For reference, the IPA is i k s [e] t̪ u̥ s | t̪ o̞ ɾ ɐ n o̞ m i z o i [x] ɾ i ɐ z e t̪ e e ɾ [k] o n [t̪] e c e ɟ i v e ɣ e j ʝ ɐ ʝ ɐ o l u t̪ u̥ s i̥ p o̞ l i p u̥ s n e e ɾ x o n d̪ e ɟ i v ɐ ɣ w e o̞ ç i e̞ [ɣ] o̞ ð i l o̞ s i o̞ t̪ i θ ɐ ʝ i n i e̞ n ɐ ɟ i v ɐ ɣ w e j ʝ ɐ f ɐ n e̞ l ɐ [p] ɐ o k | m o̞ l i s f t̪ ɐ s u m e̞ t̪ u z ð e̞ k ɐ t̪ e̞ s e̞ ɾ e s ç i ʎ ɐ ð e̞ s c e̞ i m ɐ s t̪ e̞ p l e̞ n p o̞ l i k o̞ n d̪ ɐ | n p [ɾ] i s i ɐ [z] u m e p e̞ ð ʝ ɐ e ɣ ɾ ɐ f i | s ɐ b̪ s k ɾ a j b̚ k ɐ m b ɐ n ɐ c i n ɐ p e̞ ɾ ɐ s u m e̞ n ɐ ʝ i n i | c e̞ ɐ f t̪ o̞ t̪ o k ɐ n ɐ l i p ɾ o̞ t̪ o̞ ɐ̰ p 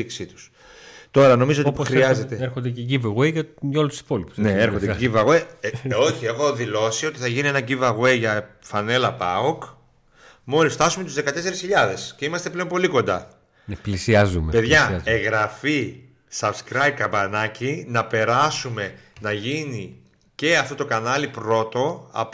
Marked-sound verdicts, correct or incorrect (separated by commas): incorrect, correct, incorrect, incorrect, incorrect, correct, incorrect, correct